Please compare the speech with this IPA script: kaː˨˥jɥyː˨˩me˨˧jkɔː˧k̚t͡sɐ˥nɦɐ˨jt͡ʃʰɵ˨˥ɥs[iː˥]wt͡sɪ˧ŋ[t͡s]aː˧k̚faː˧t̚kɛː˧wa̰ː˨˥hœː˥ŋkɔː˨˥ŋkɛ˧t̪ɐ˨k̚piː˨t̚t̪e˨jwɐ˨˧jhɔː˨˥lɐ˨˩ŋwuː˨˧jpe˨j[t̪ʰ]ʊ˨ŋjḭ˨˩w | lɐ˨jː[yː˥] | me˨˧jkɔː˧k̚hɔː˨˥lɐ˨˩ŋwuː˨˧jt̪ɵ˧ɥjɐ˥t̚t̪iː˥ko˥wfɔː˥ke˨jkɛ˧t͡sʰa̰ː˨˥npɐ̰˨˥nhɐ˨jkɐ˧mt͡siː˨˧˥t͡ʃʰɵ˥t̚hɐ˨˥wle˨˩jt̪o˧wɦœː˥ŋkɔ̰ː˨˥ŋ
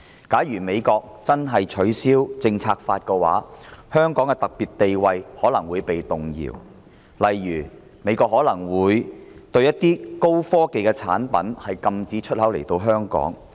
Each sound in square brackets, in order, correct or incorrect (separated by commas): correct, incorrect, incorrect, incorrect